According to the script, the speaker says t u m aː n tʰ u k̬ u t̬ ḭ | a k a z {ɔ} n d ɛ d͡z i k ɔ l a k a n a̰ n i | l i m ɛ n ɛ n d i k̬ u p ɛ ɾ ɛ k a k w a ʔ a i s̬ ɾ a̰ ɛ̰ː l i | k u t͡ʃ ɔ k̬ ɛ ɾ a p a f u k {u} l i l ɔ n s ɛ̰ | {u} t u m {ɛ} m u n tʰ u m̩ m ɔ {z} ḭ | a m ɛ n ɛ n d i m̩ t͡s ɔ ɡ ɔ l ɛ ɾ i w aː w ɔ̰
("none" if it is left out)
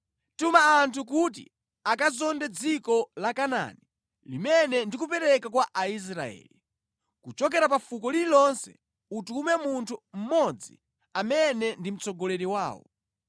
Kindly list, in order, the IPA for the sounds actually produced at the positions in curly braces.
ɔ, ɔ, u, ɛ, d͡z

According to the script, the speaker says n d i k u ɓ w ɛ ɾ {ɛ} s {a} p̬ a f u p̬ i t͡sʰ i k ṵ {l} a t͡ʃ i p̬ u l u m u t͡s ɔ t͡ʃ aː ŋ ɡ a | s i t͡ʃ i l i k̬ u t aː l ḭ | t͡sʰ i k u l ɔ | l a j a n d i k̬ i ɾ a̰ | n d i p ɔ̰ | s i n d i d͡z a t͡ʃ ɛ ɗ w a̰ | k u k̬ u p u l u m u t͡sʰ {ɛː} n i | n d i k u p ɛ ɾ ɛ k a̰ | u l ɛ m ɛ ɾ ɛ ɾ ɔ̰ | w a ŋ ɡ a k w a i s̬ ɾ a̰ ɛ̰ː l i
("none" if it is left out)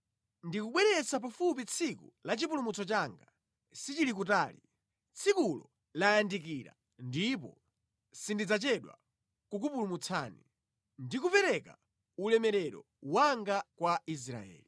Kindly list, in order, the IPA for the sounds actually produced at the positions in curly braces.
ɛ, a, l, aː

